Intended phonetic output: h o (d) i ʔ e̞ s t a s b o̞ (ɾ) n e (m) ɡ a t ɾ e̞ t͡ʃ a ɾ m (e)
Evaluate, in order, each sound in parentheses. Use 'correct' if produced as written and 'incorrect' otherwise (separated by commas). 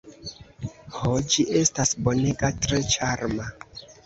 incorrect, incorrect, incorrect, incorrect